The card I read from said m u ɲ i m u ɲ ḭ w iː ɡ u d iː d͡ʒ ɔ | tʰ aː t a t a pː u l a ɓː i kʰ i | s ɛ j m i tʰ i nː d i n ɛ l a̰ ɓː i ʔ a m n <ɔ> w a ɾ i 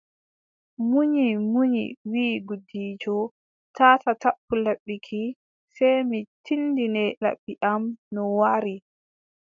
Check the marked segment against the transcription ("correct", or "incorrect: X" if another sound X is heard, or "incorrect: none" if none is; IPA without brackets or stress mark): correct